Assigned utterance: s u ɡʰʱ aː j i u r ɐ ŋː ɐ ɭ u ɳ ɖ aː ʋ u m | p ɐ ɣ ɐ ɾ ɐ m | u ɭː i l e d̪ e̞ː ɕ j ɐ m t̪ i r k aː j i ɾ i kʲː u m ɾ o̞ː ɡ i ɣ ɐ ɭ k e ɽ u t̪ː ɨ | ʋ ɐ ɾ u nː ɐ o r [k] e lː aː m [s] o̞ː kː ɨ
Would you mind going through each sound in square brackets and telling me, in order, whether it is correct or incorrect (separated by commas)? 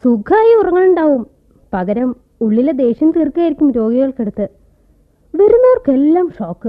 correct, incorrect